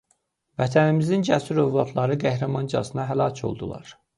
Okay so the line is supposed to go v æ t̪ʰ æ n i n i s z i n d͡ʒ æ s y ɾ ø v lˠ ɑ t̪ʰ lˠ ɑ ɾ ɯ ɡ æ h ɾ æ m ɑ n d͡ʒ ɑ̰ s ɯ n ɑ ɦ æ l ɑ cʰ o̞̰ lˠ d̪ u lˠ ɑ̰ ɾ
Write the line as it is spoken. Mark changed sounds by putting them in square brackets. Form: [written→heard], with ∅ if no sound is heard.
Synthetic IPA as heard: v æ t̪ʰ æ n i [n→m] i [s→∅] z i n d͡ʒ æ s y ɾ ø v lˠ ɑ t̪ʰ lˠ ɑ ɾ ɯ ɡ æ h ɾ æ m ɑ n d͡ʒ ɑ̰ s ɯ n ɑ ɦ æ l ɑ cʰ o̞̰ lˠ d̪ u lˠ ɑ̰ ɾ